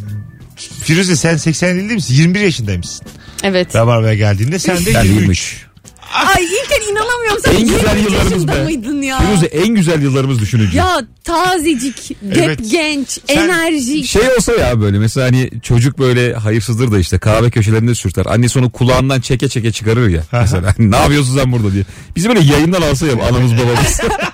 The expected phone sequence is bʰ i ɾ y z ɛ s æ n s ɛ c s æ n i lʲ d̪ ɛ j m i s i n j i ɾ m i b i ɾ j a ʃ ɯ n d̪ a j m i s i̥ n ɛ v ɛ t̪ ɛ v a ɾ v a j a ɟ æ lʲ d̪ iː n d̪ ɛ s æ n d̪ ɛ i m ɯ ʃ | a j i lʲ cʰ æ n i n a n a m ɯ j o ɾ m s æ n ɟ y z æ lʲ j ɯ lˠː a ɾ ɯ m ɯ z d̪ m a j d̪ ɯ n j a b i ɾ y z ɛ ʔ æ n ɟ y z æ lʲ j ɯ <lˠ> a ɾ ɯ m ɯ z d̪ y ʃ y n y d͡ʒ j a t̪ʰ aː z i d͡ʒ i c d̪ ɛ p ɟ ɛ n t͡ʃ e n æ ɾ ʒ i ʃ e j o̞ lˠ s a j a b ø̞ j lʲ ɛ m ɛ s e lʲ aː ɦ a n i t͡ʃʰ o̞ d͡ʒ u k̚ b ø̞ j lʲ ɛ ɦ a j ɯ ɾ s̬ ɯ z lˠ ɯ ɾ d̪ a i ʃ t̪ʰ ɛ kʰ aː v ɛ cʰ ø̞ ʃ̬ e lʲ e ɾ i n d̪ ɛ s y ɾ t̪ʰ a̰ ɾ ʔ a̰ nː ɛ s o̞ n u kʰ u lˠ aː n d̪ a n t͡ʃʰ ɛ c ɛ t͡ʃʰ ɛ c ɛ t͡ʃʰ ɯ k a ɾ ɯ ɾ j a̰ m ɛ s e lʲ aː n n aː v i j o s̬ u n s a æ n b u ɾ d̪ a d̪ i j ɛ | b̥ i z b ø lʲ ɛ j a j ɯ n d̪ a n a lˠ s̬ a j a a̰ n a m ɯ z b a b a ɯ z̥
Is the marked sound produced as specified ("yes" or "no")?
no